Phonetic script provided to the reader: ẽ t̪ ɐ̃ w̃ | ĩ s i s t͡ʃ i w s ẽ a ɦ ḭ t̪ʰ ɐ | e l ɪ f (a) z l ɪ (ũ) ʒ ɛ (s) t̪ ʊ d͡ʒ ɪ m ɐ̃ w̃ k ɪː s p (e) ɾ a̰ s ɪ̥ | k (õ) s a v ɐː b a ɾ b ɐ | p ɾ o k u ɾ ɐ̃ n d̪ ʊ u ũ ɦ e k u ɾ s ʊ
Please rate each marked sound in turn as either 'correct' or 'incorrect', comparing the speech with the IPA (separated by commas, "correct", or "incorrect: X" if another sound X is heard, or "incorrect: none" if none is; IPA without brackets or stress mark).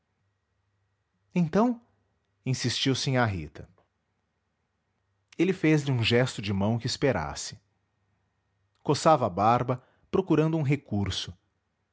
incorrect: e, correct, correct, correct, incorrect: o